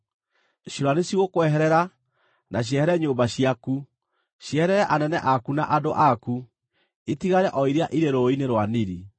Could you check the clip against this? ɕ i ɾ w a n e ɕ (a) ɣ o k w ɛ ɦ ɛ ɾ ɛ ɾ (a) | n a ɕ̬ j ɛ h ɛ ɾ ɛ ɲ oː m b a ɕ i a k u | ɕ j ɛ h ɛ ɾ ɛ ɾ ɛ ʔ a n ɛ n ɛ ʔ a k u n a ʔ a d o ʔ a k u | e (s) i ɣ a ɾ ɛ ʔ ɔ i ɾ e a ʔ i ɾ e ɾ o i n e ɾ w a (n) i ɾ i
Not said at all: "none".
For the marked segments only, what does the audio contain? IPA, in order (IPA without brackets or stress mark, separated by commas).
i, a, t, n